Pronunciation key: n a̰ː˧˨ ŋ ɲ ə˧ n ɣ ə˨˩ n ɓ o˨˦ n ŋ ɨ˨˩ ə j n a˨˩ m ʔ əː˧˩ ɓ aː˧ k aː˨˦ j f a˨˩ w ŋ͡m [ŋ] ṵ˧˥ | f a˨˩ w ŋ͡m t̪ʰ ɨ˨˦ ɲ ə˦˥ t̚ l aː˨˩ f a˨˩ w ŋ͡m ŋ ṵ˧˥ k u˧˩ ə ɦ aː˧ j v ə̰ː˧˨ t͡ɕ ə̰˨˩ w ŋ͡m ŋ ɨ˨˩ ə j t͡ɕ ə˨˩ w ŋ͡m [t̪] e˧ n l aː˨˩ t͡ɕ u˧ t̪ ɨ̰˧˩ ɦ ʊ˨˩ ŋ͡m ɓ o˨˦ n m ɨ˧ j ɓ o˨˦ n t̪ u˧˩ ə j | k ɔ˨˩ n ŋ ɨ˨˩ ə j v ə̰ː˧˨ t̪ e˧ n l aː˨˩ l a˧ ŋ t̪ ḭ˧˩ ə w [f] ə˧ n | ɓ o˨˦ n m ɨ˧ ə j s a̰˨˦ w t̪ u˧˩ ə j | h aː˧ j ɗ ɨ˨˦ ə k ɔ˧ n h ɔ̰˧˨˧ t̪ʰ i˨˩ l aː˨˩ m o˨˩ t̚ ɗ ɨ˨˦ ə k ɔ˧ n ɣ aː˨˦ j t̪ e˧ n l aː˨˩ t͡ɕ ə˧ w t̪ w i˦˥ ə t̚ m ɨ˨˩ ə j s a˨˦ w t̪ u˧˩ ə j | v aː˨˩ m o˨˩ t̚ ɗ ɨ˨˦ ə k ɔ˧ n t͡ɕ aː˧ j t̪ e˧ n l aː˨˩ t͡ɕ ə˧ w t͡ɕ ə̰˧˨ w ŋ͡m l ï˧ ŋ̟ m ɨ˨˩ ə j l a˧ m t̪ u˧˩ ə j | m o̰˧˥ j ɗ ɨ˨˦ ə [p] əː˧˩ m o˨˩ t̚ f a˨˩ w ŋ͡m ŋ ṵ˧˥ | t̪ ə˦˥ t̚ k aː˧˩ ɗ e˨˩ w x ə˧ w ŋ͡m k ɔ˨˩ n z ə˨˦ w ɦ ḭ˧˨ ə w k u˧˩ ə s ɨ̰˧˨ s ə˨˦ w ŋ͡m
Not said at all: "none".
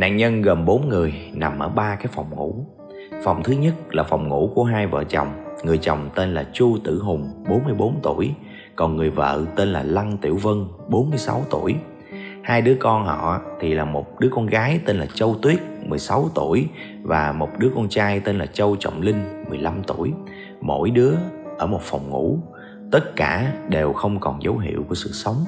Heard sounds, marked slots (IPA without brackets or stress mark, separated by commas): ŋ, t̪, v, ʔ